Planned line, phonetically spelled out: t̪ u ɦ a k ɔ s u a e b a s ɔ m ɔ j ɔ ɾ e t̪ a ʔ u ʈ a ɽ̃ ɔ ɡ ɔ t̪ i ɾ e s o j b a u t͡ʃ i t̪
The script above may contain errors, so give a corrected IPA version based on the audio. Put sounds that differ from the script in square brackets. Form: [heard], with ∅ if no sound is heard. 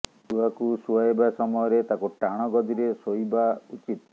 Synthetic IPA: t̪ u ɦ a k [u] s u a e b a s ɔ m ɔ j ɔ ɾ e t̪ a [k] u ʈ a ɽ̃ ɔ ɡ ɔ [d̪] i ɾ e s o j b a u t͡ʃ i t̪